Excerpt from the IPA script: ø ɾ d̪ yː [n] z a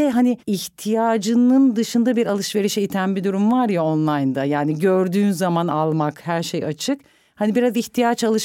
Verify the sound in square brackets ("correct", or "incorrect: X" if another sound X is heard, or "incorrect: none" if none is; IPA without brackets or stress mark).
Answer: correct